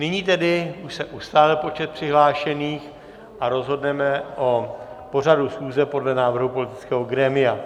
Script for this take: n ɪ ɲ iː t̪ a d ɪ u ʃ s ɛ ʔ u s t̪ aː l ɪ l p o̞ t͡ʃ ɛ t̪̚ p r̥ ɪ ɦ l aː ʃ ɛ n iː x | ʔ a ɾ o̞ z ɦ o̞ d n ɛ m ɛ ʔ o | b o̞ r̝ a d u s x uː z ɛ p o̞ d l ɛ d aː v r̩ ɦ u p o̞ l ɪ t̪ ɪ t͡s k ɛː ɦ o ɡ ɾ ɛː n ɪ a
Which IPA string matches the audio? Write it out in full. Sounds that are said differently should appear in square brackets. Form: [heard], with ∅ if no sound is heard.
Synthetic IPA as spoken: n ɪ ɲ iː t̪ [ɛ] d ɪ u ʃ s ɛ ʔ u s t̪ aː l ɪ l p o̞ t͡ʃ ɛ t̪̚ p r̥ ɪ ɦ l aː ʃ ɛ n iː x | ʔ a ɾ o̞ z ɦ o̞ d n ɛ m ɛ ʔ o | [p] o̞ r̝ a d u s x uː z ɛ p o̞ d l ɛ [n] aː v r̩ ɦ u p o̞ l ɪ t̪ ɪ t͡s k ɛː ɦ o ɡ ɾ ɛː [m] ɪ a